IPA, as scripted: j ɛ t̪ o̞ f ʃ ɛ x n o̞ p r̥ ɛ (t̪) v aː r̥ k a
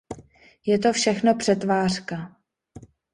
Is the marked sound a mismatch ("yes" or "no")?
no